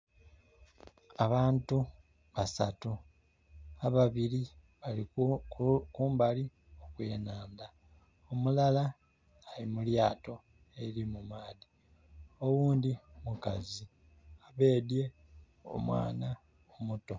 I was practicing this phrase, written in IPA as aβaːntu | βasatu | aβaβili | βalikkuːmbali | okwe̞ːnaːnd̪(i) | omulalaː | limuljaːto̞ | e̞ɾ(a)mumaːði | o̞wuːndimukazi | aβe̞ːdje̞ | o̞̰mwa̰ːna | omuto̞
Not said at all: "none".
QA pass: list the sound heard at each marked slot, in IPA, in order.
a, i

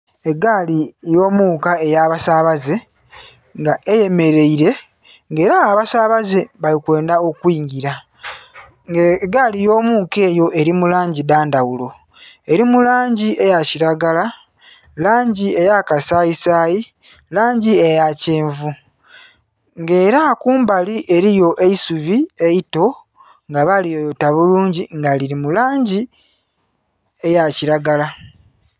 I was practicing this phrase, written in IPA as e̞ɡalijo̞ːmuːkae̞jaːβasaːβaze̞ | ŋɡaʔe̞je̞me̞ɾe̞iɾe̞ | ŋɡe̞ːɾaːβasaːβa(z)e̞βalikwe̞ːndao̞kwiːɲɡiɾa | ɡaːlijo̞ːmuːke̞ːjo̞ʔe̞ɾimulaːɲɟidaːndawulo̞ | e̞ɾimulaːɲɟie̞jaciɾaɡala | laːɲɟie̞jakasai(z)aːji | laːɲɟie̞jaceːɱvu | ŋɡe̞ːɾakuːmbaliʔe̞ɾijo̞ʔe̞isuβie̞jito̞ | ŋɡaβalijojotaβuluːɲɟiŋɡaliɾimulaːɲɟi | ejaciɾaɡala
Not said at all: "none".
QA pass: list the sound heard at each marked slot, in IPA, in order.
z, s

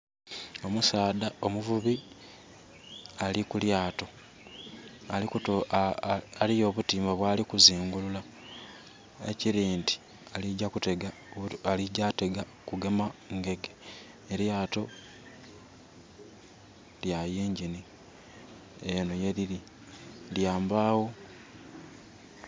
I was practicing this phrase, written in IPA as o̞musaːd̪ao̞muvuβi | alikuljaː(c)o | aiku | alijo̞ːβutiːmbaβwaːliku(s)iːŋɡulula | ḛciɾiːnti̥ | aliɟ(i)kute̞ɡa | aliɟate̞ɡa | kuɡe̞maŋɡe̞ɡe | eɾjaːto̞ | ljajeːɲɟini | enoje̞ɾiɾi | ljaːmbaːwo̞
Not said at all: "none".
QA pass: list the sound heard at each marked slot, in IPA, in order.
t, z, a

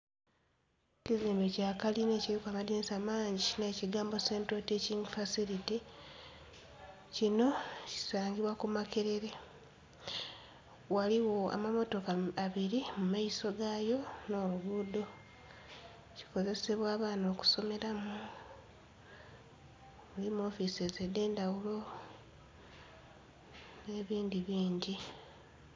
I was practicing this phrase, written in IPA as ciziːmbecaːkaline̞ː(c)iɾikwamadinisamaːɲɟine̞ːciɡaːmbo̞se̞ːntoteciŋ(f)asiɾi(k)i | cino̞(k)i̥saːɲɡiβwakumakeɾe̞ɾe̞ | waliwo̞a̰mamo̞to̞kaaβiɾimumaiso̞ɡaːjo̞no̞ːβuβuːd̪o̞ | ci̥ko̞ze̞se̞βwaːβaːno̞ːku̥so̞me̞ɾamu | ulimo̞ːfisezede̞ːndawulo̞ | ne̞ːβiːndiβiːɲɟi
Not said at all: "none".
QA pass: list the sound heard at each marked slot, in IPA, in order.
c, f, t, c

